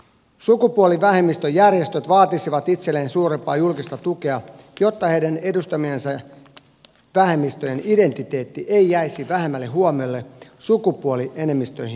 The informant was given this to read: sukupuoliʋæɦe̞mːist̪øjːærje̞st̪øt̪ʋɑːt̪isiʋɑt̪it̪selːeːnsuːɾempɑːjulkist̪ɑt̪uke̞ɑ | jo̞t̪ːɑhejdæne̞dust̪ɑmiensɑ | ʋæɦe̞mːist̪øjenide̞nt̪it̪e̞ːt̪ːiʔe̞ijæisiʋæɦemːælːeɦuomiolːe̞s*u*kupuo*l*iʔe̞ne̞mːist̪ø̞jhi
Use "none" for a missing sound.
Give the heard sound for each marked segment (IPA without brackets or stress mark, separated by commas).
u, l